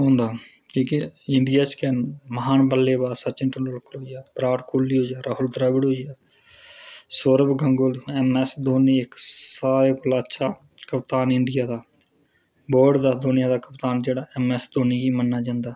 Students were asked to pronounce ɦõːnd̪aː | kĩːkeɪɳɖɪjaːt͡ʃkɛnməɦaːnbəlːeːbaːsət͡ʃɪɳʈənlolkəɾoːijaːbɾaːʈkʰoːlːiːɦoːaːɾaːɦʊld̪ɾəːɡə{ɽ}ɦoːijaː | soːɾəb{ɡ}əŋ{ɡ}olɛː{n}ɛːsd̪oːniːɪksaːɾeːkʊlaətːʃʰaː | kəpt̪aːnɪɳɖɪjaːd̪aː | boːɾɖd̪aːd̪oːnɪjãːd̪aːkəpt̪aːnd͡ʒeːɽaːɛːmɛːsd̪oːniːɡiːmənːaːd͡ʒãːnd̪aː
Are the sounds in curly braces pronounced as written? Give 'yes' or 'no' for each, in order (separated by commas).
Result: yes, yes, yes, no